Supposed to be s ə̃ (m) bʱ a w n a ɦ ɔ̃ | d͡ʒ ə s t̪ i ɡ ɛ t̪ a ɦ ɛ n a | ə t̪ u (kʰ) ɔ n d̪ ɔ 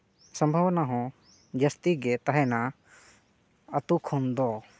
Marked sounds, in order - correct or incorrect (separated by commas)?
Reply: correct, correct